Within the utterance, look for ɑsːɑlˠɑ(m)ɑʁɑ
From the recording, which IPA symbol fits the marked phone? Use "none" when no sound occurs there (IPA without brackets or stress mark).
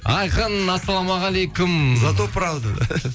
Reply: m